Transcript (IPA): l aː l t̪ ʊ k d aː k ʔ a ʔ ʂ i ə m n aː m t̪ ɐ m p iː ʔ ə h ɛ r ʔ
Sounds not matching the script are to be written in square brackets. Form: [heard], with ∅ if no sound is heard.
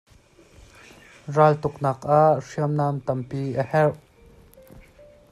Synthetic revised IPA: [r] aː l t̪ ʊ k [n] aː k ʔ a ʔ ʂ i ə m n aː m t̪ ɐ m p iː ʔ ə h ɛ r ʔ